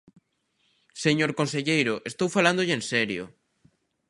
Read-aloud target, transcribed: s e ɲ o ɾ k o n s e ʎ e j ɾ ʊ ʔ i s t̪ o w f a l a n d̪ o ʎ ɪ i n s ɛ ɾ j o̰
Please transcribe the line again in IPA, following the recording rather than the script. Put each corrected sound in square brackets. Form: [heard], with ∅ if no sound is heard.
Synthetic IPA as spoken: s e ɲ o ɾ k o n s e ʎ e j ɾ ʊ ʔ [e] s t̪ o w f a l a n d̪ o ʎ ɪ [e] n s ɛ ɾ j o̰